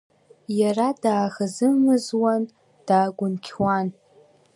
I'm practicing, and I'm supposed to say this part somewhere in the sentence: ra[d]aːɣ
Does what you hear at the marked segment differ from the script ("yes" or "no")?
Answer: no